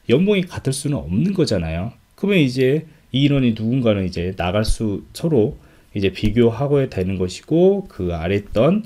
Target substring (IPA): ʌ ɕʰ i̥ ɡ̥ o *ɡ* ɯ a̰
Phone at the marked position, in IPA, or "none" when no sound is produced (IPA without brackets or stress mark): k